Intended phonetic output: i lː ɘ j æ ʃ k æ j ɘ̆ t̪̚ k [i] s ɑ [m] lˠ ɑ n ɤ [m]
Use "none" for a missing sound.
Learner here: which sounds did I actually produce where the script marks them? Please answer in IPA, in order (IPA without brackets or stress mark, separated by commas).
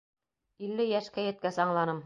æ, ɴ, m